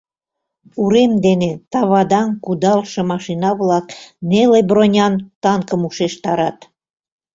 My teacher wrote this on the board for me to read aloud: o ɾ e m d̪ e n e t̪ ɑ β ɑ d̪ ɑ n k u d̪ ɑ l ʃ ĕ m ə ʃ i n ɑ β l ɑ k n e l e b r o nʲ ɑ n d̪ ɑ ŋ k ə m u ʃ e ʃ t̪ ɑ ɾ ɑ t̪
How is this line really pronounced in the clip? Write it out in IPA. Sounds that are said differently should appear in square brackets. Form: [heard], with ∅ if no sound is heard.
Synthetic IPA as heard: [u] ɾ e m d̪ e n e t̪ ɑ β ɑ d̪ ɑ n k u d̪ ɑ l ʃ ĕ m [ɑ] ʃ i n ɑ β l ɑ k n e l e b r o nʲ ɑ n [t̪] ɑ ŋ k ə m u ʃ e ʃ t̪ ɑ ɾ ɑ t̪

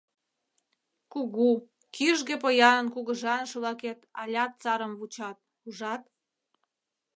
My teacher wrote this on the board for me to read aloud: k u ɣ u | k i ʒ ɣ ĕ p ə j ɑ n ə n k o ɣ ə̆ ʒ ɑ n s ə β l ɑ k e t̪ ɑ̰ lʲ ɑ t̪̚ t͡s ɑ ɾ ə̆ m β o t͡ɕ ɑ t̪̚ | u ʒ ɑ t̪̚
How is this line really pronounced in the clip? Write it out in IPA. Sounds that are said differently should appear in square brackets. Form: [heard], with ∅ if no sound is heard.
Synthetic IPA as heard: k u ɣ u | k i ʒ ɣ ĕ p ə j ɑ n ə n k [u] ɣ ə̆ ʒ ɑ n [ʃ] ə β l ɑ k e t̪ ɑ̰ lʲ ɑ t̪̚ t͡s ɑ ɾ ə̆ m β [u] t͡ɕ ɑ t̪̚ | u ʒ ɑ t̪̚

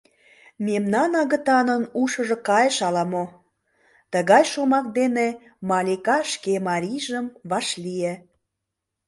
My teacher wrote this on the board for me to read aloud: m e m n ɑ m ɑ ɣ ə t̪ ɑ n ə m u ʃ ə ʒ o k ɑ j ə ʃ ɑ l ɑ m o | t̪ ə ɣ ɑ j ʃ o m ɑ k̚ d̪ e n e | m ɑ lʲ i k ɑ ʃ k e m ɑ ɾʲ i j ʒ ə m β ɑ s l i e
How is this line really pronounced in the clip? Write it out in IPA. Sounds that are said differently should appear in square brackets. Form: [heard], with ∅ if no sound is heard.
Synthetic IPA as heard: m e m n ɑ [n] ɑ ɣ ə t̪ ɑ n ə [n] u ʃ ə ʒ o k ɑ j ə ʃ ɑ l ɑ m o | t̪ ə ɣ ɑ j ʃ o m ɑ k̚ d̪ e n e | m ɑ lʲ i k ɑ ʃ k e m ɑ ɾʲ i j ʒ ə m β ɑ [ʃ] l i e

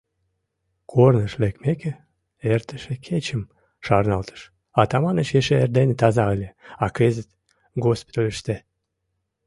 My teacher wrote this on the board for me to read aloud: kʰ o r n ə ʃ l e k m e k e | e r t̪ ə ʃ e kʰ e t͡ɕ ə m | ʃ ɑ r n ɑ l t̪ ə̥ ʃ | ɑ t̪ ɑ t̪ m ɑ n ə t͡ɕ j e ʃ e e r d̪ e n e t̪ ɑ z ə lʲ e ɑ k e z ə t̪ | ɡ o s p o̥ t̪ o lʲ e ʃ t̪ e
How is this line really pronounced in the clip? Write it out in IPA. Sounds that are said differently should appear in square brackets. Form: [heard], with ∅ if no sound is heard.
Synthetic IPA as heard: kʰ o r n ə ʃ l e k m e k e | e r t̪ ə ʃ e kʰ e t͡ɕ ə m | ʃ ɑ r n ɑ l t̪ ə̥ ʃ | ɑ t̪ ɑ [∅] m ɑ n ə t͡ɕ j e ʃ e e r d̪ e n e t̪ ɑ z [ɑ] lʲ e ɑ k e z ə t̪ | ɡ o s p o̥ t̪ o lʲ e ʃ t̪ e

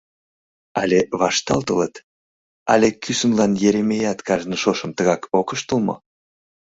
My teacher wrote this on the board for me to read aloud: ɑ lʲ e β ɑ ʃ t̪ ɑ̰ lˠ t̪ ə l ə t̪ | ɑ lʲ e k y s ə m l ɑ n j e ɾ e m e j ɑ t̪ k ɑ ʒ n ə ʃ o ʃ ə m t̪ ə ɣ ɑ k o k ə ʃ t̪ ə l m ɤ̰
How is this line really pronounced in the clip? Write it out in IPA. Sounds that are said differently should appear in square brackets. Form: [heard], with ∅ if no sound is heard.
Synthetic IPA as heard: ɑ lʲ e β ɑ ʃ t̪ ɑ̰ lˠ t̪ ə l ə t̪ | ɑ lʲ e k y s ə m l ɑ n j e ɾ e m e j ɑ t̪ k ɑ ʒ n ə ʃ o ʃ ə m t̪ ə ɣ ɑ k o k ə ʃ t̪ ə l m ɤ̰

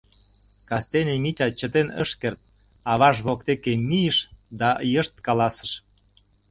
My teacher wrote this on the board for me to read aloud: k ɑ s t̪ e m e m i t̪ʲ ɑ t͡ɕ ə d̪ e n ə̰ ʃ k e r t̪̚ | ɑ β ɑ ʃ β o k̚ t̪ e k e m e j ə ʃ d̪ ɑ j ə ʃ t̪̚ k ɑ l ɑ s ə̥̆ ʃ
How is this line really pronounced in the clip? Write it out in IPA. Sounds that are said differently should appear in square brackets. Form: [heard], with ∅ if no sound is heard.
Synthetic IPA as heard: k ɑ s t̪ e [n] e m i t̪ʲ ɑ t͡ɕ ə [t̪] e n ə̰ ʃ k e r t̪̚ | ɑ β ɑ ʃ β o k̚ t̪ e k e m [i] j ə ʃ d̪ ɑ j ə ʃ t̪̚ k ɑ l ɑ s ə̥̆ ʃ

